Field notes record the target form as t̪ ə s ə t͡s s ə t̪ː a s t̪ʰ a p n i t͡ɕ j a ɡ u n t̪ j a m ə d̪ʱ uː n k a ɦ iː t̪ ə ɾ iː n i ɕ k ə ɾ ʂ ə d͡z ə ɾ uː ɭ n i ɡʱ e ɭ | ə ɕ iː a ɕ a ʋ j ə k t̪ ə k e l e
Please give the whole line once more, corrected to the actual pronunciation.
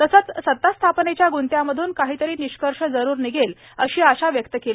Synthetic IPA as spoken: t̪ ə s ə t͡s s ə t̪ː a s t̪ʰ a p n e t͡ɕ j a ɡ u n t̪ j a m ə d̪ʱ uː n k a ɦ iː t̪ ə ɾ iː n i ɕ k ə ɾ ʂ ə d͡z ə ɾ uː ɾ n i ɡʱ e l | ə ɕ iː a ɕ a ʋ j ə k t̪ ə k e l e

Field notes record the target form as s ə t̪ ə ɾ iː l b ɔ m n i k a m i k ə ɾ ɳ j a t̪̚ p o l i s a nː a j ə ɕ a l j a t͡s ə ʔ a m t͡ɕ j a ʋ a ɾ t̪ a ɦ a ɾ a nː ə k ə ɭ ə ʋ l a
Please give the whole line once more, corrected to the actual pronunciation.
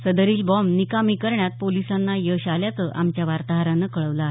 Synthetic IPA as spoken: s ə d̪ ə ɾ iː l b ɔ m n i k a m i k ə ɾ ɳ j a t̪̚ p o l i s a nː a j ə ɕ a l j a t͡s ə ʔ a m t͡ɕ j a ʋ a ɾ t̪ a ɦ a ɾ a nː ə k ə ɭ ə ʋ l a

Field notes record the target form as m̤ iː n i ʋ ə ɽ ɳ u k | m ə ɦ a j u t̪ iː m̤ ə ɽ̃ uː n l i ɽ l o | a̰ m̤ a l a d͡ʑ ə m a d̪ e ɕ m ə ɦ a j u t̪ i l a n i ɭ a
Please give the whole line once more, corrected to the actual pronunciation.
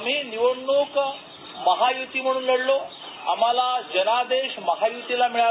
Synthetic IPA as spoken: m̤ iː n i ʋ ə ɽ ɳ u k | m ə ɦ a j u t̪ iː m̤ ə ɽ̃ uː n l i ɽ l o | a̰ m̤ a l a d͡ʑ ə n a d̪ e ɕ m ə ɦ a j u t̪ i l a m i ɭ a

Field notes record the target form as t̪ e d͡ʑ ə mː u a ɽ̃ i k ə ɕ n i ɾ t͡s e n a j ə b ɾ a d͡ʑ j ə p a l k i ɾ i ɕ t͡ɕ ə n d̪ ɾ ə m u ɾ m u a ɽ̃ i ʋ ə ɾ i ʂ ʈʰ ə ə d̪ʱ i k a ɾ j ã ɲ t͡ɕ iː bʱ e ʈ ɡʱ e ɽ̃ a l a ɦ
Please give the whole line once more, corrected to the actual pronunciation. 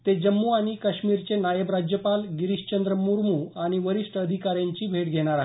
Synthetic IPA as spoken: t̪ e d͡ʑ ə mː u a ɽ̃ i k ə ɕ m i ɾ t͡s e n a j ə b ɾ a d͡ʑ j ə p a l ɡ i ɾ i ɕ t͡ɕ ə n d̪ ɾ ə m u ɾ m u a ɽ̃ i ʋ ə ɾ i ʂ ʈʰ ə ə d̪ʱ i k a ɾ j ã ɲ t͡ɕ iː bʱ e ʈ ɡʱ e ɽ̃ a ɾ a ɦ

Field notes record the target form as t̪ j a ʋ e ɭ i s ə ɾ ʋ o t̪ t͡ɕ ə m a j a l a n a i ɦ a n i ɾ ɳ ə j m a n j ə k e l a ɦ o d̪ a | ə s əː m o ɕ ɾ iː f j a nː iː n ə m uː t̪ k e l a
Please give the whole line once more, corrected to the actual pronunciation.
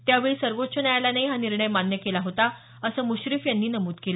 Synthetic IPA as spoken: t̪ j a ʋ e ɭ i s ə ɾ ʋ o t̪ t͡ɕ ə n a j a l a n a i ɦ a n i ɾ ɳ ə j m a n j ə k e l a ɦ o t̪ a | ə s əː m u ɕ ɾ i f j a nː iː n ə m uː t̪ k e l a

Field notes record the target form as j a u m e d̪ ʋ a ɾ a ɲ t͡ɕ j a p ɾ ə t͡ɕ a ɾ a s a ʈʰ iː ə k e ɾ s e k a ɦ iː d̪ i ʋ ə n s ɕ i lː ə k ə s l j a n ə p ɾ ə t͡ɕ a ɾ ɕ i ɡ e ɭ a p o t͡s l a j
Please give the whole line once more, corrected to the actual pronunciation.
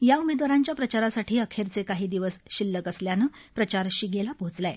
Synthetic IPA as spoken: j a u m e d̪ ʋ a ɾ a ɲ t͡ɕ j a p ɾ ə t͡ɕ a ɾ a s a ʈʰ iː ə kʰ e ɾ t͡s e k a ɦ iː d̪ i ʋ ə s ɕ i lː ə k ə s l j a n ə p ɾ ə t͡ɕ a ɾ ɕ i ɡ e l a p o t͡s l a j

